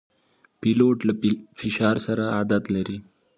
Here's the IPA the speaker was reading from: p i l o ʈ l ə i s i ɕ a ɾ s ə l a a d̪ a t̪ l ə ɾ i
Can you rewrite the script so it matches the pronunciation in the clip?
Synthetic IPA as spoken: p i l o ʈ l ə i f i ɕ a ɾ s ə ɾ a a d̪ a t̪ l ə ɾ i